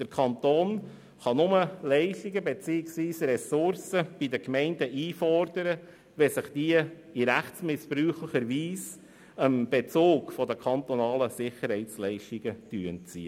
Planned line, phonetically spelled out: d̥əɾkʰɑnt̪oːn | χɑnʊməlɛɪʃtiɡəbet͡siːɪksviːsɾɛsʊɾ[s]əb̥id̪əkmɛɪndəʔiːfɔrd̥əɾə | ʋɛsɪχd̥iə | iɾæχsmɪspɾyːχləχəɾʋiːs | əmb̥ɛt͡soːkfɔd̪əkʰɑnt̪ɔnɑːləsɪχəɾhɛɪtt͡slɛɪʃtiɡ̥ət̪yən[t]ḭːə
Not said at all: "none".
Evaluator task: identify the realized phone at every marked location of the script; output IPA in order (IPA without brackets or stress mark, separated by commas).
s, t͡s